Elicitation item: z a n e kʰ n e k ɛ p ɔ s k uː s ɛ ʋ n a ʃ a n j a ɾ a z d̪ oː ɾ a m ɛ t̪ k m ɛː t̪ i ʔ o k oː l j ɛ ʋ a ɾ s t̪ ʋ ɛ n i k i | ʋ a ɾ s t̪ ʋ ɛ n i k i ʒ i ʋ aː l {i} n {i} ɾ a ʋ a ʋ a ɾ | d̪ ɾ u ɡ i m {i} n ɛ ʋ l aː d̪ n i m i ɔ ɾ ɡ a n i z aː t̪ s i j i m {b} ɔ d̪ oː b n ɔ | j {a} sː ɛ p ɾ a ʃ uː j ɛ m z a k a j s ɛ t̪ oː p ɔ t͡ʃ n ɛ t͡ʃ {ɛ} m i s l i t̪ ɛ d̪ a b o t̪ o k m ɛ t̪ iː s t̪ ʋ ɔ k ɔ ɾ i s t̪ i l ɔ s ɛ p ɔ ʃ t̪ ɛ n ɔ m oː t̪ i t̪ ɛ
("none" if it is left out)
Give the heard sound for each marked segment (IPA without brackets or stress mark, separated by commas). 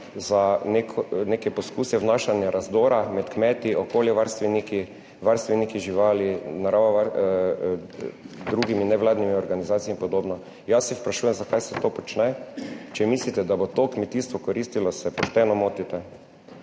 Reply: i, a, i, p, a, ɛ